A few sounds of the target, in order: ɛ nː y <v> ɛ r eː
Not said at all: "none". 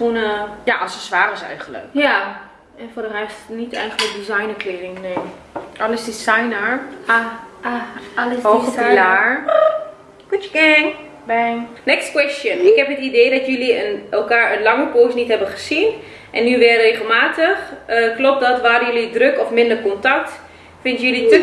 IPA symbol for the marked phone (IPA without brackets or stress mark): ʋ